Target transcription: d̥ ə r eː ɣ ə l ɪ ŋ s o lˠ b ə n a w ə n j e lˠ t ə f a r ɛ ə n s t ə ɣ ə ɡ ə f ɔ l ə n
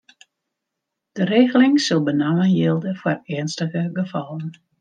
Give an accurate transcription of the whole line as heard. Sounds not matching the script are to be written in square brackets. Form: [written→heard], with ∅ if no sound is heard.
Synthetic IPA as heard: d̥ ə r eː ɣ ə l ɪ ŋ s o lˠ b ə n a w ə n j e lˠ [t→d] ə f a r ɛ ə n s t ə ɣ ə ɡ ə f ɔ l ə n